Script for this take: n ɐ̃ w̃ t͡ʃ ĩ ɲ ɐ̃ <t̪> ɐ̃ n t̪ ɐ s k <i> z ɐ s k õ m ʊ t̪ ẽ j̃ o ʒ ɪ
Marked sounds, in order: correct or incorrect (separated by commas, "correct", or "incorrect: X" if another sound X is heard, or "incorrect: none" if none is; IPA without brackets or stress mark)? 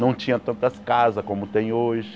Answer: correct, incorrect: a